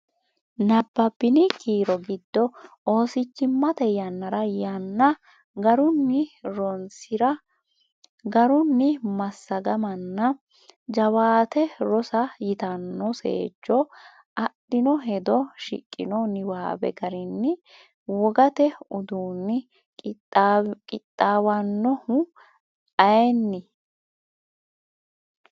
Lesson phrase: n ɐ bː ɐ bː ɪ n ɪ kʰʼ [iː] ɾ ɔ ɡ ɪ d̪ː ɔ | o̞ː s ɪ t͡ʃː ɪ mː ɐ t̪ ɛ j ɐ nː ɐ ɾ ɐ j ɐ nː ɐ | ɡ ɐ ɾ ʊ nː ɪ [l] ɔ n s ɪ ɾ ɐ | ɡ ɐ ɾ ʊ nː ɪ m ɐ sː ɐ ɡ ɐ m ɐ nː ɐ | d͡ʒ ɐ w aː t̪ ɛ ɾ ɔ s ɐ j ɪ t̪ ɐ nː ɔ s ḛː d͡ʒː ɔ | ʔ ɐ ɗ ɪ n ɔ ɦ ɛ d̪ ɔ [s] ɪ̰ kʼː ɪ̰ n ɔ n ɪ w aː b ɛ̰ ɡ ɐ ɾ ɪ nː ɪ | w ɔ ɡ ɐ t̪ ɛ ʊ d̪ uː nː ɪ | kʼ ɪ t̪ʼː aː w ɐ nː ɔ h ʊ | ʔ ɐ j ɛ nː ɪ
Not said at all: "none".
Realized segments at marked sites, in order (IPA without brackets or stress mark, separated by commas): iː, ɾ, ʃ